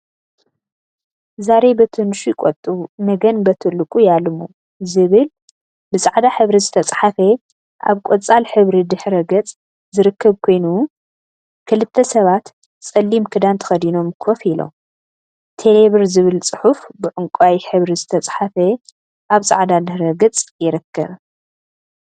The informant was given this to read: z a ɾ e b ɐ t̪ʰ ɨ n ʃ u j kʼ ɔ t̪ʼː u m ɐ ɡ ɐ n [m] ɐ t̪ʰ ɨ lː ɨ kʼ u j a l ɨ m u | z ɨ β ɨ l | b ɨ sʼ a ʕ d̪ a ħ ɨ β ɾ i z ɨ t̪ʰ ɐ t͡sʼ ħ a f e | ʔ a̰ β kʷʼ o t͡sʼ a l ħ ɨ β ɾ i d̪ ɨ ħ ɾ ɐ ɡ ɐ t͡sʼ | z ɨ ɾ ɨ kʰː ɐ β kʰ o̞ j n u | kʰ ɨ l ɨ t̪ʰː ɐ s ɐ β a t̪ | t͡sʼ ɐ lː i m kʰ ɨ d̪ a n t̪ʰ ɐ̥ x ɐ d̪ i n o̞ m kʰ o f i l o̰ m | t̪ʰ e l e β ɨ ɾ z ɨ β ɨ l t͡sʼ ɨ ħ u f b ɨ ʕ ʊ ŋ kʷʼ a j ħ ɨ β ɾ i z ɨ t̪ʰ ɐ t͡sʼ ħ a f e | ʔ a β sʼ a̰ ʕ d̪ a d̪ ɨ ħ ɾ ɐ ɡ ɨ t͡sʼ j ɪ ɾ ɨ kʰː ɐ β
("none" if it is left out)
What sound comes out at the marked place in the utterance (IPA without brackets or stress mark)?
b